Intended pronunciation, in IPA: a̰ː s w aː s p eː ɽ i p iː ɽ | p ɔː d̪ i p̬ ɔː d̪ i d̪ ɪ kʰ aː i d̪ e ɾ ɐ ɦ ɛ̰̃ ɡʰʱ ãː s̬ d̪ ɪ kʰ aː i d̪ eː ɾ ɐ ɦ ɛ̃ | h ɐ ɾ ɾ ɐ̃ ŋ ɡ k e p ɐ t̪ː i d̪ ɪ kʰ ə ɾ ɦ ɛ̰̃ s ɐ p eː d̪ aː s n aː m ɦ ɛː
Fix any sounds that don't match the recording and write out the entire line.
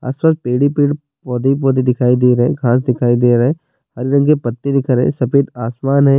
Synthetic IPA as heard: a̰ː s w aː s p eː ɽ i p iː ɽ | p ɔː d̪ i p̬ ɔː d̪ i d̪ ɪ kʰ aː i d̪ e ɾ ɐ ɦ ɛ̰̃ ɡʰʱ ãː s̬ d̪ ɪ kʰ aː i d̪ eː ɾ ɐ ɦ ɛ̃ | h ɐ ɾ ɾ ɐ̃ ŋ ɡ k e p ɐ t̪ː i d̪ ɪ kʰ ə ɾ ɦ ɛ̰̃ s ɐ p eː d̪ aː s m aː n ɦ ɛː